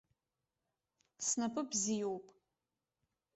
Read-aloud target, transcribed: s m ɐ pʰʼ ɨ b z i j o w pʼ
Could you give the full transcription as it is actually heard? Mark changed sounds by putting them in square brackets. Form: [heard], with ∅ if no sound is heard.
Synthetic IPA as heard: s [n] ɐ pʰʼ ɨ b z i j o w pʼ